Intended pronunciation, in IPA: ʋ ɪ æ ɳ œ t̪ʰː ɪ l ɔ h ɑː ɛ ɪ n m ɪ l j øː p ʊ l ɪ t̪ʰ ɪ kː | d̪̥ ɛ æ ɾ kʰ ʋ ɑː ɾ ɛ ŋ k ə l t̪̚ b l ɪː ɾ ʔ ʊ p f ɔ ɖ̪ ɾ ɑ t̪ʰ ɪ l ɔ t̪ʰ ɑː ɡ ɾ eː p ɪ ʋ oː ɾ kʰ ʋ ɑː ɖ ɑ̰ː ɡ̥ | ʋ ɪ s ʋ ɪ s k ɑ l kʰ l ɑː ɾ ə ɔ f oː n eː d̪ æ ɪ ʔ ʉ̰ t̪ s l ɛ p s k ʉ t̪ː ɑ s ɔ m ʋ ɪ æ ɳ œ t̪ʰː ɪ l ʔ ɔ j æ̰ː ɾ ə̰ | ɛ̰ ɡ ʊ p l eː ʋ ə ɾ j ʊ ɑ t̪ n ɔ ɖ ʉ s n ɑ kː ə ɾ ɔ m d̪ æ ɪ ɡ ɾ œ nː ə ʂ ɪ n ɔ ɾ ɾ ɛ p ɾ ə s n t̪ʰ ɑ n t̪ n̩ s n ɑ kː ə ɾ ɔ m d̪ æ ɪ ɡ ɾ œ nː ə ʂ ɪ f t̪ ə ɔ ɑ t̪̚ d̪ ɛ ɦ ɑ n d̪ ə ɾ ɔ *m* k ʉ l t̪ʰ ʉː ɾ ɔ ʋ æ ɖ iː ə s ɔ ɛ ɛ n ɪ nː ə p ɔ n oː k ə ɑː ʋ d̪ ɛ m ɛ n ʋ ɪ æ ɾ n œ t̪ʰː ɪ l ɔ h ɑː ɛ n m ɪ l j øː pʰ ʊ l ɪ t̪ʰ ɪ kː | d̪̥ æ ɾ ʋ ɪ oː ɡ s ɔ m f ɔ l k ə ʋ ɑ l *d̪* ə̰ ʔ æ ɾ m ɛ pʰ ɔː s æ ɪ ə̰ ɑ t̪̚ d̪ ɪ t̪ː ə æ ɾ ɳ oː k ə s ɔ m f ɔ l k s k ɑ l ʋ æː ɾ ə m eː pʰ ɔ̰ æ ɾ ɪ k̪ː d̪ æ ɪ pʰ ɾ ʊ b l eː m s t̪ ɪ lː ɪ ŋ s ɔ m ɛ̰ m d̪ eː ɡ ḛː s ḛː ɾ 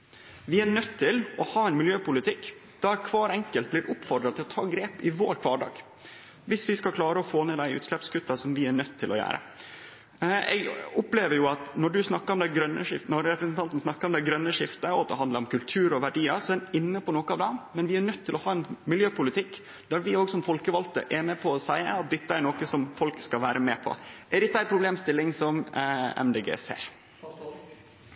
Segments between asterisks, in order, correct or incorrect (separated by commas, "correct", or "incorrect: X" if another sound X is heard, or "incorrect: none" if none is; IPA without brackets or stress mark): correct, incorrect: t̪